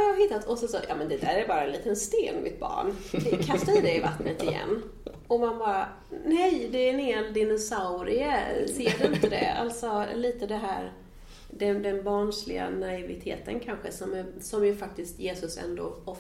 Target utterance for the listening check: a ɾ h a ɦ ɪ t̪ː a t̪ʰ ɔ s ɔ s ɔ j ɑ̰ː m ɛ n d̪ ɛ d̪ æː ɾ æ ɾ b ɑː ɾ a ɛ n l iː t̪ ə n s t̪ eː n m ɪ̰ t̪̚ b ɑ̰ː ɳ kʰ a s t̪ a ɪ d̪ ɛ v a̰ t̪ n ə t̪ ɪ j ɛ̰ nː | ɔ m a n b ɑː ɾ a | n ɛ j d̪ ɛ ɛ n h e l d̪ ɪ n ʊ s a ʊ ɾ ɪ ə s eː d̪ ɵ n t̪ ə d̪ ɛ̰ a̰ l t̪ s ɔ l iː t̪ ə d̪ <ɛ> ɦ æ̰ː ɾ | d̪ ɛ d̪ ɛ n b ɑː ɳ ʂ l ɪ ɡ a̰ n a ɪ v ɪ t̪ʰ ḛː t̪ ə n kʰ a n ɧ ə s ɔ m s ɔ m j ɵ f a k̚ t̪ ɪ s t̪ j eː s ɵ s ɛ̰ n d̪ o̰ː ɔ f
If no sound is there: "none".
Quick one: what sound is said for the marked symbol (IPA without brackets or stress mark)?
ɛ